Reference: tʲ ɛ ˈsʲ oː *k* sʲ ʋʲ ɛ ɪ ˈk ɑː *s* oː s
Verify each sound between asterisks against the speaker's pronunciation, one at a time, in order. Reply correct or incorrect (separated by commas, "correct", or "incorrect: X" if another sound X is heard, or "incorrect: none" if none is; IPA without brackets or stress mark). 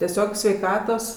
correct, incorrect: t